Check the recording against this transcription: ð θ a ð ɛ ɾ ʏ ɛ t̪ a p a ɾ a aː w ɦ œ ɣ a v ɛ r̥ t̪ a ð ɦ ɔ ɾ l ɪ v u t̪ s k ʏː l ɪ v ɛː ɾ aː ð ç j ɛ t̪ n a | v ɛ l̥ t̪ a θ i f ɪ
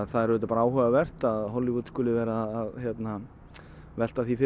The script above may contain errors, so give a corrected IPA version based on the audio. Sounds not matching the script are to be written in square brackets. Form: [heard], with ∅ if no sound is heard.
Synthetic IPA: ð θ a ð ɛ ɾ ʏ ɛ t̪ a p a ɾ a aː w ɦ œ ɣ a v ɛ r̥ t̪ a ð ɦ ɔ [∅] l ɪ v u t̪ s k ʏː l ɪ v ɛː ɾ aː ð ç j ɛ t̪ n a | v ɛ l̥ t̪ a θ i f ɪ